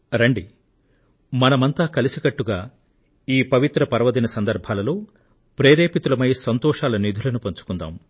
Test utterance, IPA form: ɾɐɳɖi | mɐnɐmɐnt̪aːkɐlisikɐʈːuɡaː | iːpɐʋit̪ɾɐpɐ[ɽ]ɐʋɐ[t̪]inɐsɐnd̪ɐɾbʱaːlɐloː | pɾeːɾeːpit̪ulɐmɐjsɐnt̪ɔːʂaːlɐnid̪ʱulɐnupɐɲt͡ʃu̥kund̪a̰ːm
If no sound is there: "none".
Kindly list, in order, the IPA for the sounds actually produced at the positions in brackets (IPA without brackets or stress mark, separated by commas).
ɾ, d̪